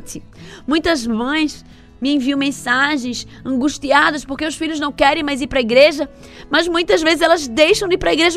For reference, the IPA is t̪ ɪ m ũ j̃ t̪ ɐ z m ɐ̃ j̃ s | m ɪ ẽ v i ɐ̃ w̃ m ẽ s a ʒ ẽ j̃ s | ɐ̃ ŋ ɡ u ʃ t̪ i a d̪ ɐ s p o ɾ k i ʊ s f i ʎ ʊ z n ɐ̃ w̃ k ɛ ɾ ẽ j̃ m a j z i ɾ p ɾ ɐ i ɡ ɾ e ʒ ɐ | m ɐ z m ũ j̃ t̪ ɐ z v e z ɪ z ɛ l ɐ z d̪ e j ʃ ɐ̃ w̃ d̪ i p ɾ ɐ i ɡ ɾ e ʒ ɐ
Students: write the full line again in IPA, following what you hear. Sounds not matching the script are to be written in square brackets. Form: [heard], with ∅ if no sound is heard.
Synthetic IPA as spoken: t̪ ɪ m ũ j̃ t̪ ɐ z m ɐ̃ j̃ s | m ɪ ẽ v i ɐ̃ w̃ m ẽ s a ʒ ẽ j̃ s | ɐ̃ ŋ ɡ u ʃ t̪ i a d̪ ɐ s p o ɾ k [e] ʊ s f i ʎ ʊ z n ɐ̃ w̃ k ɛ ɾ ẽ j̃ m a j z i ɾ p ɾ ɐ i ɡ ɾ e ʒ ɐ | m ɐ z m ũ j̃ t̪ ɐ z v e z ɪ z ɛ l ɐ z d̪ e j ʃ ɐ̃ w̃ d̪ i p ɾ ɐ i ɡ ɾ e ʒ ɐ